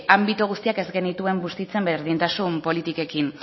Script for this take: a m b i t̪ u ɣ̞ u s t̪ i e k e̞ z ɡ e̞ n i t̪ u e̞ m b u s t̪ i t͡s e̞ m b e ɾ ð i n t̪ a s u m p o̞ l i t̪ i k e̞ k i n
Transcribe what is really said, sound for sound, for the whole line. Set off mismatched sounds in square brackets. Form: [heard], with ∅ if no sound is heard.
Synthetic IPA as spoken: a m b i t̪ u ɣ̞ u s t̪ i [a] k e̞ z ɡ e̞ n i t̪ u e̞ m b u s t̪ i t͡s e̞ m b e ɾ ð i n t̪ a s u m p o̞ l i t̪ i k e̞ k i n